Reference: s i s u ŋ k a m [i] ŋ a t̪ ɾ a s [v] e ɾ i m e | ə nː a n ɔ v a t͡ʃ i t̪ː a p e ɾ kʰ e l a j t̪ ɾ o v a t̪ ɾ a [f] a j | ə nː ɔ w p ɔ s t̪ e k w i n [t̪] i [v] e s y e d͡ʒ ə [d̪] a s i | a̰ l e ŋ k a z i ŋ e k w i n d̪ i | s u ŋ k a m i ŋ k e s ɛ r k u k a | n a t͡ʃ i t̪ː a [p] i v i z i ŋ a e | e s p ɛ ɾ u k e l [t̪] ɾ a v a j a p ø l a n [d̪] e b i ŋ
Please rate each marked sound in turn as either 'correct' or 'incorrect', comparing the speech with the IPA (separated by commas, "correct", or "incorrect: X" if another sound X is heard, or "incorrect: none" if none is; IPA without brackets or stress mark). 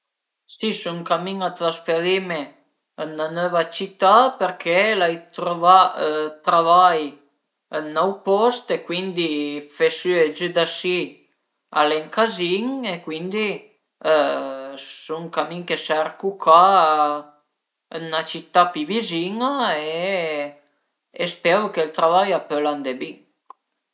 correct, incorrect: f, incorrect: v, incorrect: d̪, incorrect: f, correct, correct, correct, correct